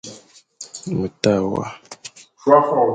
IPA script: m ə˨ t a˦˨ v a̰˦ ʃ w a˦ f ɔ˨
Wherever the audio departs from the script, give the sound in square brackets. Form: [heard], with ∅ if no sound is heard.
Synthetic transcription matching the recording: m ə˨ t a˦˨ [w] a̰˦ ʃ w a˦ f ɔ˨